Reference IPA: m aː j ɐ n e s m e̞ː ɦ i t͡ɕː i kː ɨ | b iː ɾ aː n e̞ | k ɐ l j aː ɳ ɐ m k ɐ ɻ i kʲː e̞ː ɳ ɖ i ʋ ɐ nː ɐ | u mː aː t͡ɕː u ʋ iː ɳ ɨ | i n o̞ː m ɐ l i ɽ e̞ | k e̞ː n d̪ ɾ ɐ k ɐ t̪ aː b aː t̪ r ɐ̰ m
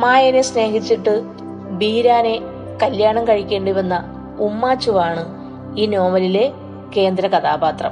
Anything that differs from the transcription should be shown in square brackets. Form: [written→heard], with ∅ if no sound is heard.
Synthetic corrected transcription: m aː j ɐ n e s [m→n] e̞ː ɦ i t͡ɕː i [kː→ʈː] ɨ | b iː ɾ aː n e̞ | k ɐ l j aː ɳ ɐ m k ɐ ɻ i kʲː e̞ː ɳ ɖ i ʋ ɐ nː ɐ | u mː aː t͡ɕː u ʋ [iː→aː] ɳ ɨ | [i→iː] n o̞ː m ɐ l i [ɽ→l] e̞ | k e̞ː n d̪ ɾ ɐ k ɐ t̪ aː b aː t̪ r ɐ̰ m